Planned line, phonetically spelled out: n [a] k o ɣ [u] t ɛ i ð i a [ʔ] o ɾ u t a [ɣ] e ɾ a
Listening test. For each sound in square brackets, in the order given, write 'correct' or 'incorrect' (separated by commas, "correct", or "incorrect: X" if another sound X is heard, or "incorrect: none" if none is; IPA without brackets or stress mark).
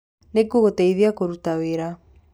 incorrect: e, incorrect: o, incorrect: k, incorrect: w